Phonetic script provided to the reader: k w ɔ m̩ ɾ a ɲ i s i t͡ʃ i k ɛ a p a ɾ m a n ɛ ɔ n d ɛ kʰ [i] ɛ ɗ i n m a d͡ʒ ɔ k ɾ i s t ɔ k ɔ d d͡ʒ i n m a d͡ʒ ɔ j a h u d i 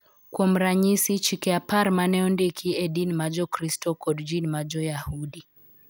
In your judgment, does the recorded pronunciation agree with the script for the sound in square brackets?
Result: yes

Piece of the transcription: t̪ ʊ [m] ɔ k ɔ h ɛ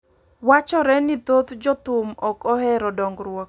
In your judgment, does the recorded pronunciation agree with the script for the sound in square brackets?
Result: yes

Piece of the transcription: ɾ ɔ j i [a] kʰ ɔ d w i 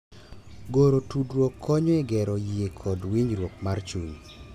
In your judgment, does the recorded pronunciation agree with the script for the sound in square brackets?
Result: no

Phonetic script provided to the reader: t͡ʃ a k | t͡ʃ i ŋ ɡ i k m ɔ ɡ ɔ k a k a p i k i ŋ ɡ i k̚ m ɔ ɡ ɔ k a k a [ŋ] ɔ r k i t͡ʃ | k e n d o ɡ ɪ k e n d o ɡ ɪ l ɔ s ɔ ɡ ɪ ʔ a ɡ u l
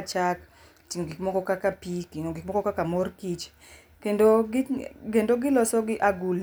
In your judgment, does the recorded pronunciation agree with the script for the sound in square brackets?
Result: no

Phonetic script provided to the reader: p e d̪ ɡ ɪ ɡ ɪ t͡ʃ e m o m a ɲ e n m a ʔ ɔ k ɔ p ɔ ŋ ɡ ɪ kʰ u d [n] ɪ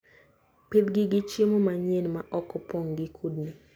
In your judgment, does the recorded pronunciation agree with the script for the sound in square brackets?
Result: yes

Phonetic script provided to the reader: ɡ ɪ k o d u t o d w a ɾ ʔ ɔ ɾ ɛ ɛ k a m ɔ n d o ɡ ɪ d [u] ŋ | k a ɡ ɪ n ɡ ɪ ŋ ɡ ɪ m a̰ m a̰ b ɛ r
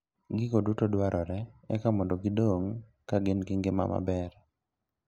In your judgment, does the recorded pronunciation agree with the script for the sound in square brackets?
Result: no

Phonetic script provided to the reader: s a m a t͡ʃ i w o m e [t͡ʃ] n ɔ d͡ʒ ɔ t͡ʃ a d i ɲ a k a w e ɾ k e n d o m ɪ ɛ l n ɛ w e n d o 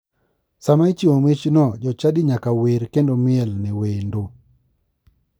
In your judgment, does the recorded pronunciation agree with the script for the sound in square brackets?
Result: yes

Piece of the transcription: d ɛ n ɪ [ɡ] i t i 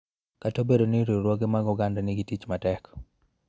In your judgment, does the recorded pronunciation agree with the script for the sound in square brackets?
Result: yes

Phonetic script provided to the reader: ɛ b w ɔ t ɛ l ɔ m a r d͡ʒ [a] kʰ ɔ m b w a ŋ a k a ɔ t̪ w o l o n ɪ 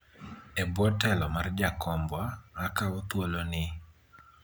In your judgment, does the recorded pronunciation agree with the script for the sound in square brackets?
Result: yes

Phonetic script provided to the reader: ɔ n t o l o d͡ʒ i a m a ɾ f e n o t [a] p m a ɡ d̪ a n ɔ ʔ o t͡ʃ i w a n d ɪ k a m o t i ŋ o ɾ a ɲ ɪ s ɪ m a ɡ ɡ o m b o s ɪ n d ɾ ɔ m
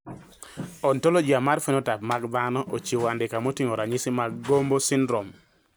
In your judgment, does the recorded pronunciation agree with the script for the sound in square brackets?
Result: yes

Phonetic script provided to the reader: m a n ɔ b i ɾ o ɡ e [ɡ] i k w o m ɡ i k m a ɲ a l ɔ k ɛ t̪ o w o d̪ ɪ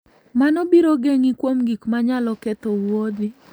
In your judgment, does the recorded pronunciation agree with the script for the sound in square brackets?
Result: no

